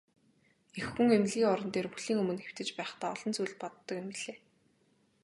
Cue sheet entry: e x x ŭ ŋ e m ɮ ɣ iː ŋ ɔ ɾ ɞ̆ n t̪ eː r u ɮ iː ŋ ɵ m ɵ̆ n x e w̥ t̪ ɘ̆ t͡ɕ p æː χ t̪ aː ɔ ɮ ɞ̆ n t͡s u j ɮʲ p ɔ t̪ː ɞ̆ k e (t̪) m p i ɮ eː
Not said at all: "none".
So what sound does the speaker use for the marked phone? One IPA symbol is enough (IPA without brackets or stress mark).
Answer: none